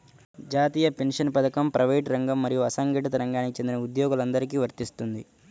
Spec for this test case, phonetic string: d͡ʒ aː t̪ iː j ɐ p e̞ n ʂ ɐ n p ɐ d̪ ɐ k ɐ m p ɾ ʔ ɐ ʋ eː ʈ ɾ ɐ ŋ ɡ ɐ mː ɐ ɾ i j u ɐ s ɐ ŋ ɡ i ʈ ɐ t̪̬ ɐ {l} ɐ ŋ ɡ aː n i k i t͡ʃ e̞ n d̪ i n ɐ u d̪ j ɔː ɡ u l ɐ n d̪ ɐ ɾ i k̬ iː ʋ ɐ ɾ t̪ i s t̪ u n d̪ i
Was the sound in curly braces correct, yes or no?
no